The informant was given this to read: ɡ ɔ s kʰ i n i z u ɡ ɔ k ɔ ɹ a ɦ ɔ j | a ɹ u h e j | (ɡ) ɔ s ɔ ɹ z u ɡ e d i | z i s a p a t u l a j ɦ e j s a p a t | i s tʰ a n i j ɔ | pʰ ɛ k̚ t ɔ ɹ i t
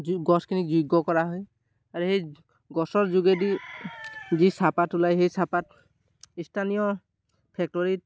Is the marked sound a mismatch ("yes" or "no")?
no